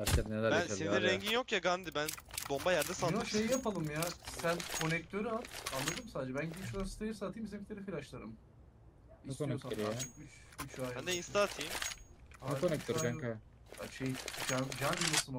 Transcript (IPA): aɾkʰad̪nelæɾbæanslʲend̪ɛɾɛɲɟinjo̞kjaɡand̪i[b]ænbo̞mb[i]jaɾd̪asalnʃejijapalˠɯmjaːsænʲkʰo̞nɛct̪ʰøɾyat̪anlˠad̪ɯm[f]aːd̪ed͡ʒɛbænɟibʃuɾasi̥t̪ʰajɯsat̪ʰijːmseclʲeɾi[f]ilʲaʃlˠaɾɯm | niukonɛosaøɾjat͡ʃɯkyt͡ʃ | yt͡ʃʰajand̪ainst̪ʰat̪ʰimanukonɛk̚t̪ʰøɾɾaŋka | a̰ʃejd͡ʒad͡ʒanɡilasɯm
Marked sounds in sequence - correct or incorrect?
correct, incorrect, incorrect, correct

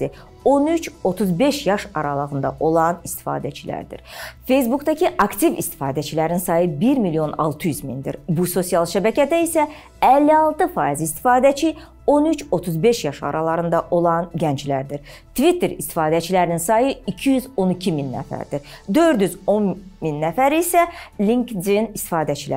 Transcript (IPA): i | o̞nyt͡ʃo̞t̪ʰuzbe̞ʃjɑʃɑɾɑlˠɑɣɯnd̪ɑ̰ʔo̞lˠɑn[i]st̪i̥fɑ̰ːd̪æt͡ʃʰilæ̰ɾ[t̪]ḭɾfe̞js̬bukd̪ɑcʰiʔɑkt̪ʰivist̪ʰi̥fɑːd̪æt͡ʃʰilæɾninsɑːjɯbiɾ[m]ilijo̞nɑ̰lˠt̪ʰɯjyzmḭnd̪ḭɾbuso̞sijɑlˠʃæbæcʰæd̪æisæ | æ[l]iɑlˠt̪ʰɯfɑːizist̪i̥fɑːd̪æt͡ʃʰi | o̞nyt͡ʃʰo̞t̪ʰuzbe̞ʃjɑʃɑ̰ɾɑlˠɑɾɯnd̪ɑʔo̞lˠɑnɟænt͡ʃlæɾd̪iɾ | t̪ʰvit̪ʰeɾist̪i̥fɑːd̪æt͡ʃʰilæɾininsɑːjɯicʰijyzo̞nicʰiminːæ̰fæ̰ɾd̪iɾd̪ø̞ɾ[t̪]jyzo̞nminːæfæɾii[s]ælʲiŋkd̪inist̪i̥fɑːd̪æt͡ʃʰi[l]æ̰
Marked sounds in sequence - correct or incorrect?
correct, incorrect, correct, incorrect, incorrect, correct, correct

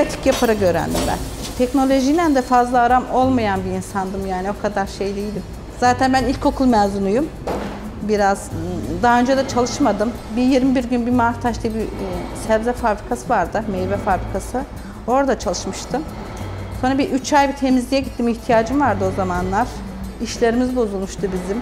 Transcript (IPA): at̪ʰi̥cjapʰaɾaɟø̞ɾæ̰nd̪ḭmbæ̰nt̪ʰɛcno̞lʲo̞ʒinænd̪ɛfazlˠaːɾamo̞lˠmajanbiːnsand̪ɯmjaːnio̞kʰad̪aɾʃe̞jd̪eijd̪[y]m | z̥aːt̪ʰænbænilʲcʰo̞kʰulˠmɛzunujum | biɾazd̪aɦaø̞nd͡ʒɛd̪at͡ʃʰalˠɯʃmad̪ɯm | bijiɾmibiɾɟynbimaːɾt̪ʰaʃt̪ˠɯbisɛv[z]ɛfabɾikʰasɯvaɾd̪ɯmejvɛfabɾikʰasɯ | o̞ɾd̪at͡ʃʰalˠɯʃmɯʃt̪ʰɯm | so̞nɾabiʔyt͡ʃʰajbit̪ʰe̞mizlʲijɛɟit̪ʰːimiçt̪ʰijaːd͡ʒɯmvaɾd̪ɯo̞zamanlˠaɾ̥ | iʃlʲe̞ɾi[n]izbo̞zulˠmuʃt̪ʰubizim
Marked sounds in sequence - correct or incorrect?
incorrect, correct, incorrect

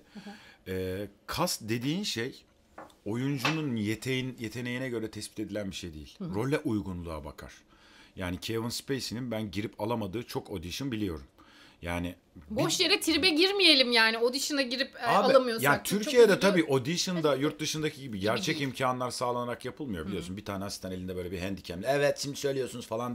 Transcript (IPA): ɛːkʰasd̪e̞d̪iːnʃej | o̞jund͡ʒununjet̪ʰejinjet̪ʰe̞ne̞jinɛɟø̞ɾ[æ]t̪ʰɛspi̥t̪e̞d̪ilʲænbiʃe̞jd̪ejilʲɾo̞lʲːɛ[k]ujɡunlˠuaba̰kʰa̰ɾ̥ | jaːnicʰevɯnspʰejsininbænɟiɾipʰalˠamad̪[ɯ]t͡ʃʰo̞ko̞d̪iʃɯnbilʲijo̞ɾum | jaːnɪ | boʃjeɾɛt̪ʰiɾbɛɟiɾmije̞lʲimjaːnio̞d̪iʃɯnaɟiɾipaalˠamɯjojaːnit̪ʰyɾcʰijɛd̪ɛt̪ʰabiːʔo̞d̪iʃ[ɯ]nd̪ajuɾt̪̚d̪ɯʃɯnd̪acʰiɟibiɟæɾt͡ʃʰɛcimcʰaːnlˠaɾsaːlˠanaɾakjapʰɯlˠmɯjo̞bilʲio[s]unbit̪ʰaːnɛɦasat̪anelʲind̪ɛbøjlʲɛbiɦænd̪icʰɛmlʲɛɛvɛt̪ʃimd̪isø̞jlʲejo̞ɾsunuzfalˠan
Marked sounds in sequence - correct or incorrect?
incorrect, incorrect, incorrect, correct, correct

